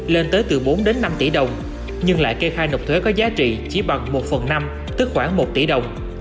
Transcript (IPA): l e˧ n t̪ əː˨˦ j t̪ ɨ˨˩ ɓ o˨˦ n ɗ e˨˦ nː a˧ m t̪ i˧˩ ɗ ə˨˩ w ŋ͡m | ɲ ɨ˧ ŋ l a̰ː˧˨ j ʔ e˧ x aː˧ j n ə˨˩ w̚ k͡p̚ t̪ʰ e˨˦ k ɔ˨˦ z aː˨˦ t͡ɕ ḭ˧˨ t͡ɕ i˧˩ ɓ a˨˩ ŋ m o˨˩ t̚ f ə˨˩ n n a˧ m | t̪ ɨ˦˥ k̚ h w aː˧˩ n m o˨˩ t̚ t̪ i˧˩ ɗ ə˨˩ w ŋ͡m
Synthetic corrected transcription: l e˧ n t̪ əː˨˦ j t̪ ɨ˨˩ ɓ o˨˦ n ɗ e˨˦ nː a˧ m t̪ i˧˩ ɗ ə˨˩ w ŋ͡m | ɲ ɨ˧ ŋ l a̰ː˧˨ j k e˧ x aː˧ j n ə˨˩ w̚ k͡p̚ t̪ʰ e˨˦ k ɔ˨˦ z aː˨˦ t͡ɕ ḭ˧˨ t͡ɕ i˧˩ ɓ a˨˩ ŋ m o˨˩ t̚ f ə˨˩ n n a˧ m | t̪ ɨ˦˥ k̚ x w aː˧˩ ŋ m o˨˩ t̚ t̪ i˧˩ ɗ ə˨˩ w ŋ͡m